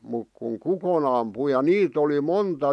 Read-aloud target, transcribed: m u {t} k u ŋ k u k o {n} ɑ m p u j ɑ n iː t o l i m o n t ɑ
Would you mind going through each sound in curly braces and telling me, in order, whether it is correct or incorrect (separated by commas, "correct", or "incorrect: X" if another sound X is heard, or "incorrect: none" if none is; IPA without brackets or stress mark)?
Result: incorrect: k, correct